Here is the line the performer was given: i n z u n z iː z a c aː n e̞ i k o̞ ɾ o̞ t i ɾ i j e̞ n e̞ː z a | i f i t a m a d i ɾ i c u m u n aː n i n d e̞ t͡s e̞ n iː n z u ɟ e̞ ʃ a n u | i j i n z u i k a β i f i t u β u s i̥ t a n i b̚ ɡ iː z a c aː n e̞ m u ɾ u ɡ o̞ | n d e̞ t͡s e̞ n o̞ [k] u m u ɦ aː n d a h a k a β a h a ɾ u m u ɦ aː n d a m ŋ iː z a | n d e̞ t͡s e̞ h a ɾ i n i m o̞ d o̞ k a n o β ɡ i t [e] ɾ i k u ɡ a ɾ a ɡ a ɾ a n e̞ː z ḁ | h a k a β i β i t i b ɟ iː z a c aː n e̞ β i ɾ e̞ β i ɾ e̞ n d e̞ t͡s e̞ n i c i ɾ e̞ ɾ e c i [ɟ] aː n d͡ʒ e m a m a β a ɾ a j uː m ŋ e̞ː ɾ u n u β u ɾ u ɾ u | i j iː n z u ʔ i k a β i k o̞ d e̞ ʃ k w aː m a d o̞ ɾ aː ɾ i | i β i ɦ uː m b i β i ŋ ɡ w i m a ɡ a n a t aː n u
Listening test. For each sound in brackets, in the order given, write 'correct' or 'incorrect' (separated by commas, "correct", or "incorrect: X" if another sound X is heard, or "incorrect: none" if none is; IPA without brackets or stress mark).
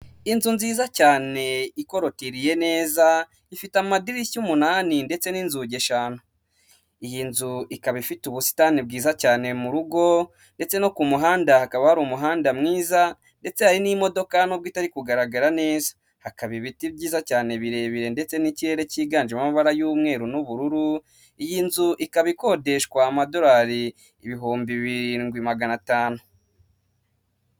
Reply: correct, incorrect: a, incorrect: ɡ